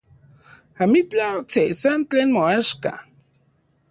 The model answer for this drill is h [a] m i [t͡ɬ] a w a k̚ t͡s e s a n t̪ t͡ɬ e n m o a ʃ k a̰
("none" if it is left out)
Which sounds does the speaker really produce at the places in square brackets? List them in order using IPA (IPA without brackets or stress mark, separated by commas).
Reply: a, t͡ɬ